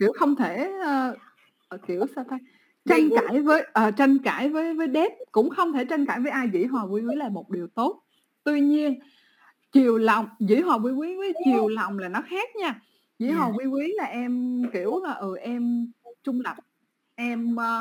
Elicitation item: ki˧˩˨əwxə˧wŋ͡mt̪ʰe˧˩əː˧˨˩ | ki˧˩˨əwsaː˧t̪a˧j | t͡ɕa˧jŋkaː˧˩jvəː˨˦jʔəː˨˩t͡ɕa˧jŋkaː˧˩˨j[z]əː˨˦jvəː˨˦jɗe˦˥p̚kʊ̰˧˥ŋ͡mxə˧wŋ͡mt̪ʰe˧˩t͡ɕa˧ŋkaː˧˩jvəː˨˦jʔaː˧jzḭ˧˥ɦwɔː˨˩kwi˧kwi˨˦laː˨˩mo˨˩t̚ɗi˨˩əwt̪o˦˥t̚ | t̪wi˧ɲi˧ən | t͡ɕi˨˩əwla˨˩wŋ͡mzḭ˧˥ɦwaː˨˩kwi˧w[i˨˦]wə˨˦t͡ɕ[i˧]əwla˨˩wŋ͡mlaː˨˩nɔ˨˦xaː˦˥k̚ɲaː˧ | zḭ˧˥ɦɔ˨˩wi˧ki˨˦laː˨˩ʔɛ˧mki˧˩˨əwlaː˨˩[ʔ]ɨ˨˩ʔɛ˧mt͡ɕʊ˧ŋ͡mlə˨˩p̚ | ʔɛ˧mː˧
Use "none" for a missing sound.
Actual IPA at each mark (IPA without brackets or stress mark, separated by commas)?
v, i˨˦, i˨˩, ʔ